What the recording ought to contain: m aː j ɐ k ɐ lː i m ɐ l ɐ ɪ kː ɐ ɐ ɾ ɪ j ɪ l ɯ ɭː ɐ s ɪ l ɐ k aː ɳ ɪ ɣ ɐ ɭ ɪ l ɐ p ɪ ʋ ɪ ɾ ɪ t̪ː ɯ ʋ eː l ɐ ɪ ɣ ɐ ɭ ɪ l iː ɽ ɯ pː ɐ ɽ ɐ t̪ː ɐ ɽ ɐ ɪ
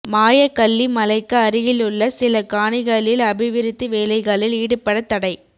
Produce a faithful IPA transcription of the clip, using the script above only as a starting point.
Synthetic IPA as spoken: m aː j ɐ k ɐ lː i m ɐ l ɐ ɪ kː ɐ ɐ ɾ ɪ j ɪ l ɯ ɭː ɐ s ɪ l ɐ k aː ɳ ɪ ɣ ɐ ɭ ɪ l ɐ b ɪ ʋ ɪ ɾ ɪ t̪ː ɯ ʋ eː l ɐ ɪ ɣ ɐ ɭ ɪ l iː ɽ ɯ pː ɐ ɽ ɐ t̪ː ɐ ɽ ɐ ɪ